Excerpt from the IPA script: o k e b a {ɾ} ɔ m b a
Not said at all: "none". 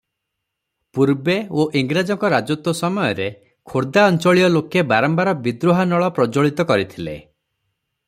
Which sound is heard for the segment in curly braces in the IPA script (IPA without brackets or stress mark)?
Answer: ɾ